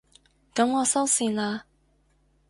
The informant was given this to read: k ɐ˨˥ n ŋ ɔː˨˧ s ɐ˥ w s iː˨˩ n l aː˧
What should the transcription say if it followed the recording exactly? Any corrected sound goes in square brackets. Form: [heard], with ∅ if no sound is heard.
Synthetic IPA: k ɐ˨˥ [m] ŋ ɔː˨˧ s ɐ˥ w s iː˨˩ n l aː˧

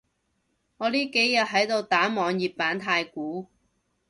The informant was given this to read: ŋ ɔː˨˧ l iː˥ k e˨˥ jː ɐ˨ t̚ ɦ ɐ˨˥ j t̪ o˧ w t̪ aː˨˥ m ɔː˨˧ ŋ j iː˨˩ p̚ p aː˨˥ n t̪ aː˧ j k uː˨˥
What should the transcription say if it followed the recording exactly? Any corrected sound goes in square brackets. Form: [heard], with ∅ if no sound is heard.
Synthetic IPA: ŋ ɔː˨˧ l iː˥ k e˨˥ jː ɐ˨ t̚ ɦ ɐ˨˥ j t̪ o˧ w t̪ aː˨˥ m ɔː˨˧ ŋ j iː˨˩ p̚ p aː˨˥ n [t̪ʰ] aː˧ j k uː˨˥

